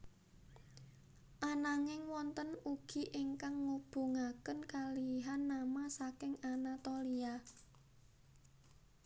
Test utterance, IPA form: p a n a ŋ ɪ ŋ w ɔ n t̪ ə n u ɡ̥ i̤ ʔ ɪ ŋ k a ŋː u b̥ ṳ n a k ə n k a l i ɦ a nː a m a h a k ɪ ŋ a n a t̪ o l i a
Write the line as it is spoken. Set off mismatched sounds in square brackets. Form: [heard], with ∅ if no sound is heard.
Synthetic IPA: [ʔ] a n a ŋ ɪ ŋ w ɔ n t̪ ə n u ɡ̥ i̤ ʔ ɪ ŋ k a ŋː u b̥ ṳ [ŋ] a k ə n k a l i ɦ a nː a m a [s] a k ɪ ŋ a n a t̪ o l i a